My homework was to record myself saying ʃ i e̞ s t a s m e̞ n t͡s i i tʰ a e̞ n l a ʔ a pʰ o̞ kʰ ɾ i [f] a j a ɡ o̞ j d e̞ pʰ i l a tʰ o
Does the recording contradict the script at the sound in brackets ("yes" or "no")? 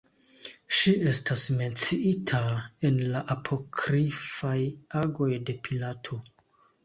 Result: no